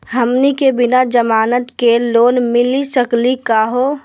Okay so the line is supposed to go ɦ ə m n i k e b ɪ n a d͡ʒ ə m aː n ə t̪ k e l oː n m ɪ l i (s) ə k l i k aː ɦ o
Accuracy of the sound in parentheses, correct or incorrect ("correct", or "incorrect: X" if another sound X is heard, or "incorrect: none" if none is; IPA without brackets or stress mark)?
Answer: correct